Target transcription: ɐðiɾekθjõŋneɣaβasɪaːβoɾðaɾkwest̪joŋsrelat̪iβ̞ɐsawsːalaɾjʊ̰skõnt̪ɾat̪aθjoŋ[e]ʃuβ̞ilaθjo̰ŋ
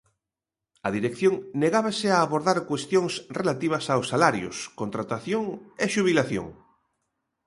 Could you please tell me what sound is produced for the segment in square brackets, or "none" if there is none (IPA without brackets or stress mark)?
e